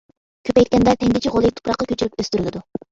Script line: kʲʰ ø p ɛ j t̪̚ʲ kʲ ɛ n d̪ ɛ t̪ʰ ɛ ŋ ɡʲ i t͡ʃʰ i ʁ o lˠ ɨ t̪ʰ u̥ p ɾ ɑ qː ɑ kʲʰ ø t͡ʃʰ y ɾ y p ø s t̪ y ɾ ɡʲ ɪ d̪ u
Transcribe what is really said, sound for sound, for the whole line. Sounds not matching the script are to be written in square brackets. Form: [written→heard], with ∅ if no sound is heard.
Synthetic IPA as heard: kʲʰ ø p ɛ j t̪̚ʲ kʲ ɛ n d̪ ɛ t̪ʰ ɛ ŋ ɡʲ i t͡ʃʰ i ʁ o lˠ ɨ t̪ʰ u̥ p ɾ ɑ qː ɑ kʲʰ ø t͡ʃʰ y ɾ y p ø s t̪ y ɾ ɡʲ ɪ d̪ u